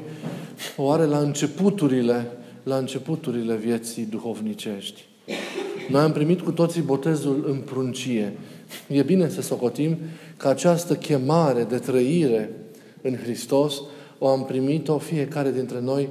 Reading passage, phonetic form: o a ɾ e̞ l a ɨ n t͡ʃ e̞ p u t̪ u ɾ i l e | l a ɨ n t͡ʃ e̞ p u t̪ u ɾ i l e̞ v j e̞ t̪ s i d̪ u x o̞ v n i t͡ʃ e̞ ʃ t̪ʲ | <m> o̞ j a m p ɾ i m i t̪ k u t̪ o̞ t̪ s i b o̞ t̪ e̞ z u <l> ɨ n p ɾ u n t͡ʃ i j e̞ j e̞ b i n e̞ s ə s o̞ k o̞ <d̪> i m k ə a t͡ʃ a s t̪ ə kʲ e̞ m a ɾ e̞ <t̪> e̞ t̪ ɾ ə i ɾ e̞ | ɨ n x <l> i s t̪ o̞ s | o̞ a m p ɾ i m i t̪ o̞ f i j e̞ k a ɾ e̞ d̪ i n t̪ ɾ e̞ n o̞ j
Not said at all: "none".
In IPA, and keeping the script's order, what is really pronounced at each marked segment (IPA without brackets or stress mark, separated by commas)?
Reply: n, l, t̪, d̪, ɾ